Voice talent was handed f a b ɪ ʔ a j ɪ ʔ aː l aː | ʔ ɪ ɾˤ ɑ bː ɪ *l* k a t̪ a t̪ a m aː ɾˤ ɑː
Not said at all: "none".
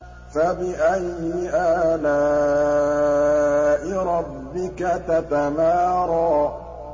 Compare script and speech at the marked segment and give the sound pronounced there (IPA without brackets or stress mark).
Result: none